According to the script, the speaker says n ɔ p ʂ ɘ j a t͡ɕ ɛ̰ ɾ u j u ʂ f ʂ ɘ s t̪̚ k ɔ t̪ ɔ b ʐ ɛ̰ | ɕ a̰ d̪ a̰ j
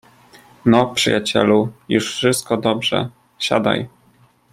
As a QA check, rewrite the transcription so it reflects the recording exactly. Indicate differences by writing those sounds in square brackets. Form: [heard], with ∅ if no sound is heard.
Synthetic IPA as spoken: n ɔ p ʂ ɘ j a t͡ɕ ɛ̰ [l] u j u ʂ f ʂ ɘ s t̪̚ k ɔ [d̪] ɔ b ʐ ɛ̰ | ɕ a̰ d̪ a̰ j